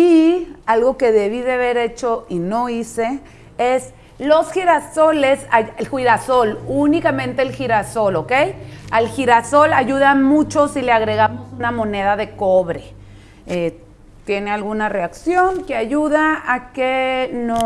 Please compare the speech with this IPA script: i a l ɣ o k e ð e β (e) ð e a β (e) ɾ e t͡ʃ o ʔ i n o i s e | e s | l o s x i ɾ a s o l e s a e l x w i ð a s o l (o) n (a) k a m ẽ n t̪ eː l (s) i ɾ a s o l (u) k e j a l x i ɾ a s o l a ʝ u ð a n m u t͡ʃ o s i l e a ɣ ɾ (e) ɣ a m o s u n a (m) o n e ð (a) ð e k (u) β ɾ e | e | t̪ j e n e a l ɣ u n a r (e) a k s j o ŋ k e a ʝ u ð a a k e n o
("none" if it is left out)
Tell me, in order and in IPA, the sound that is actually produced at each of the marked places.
i, e, u, i, x, o, e, m, a, o, e

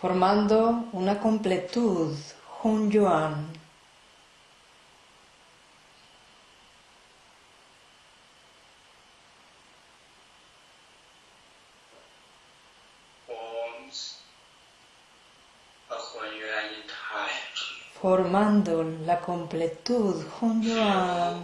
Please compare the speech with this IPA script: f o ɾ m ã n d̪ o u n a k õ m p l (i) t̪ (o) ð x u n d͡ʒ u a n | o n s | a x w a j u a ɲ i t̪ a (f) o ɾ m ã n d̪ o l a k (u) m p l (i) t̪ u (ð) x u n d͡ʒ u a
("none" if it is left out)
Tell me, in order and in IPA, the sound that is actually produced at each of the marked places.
e, u, f, o, e, ð

